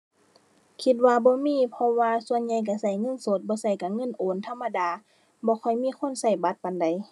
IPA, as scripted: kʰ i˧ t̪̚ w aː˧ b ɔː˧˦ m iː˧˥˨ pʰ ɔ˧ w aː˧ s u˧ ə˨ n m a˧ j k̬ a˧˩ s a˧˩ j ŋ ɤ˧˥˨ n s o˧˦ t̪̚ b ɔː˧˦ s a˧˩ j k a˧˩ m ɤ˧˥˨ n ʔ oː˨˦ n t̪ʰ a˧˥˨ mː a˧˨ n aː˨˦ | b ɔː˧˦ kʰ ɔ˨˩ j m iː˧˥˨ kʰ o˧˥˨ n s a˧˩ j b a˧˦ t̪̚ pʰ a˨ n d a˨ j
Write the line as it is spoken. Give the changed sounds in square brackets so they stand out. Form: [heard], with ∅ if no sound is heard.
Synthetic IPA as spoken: kʰ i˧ t̪̚ w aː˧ b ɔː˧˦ m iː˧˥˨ pʰ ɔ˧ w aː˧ s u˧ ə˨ n [ɲ] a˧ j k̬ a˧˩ s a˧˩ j ŋ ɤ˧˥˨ n s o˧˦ t̪̚ b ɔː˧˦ s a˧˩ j k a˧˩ [ŋ] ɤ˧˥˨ n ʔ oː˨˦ n t̪ʰ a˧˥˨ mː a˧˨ [d] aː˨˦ | b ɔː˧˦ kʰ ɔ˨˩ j m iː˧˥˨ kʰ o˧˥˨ n s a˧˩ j b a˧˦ t̪̚ [p] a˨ n d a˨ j